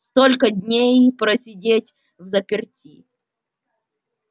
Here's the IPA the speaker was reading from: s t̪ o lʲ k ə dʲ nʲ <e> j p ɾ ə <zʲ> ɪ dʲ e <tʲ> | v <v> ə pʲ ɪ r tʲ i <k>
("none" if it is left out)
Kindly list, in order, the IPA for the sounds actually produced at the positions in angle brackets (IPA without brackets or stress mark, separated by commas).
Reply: e, sʲ, tʲ, z, none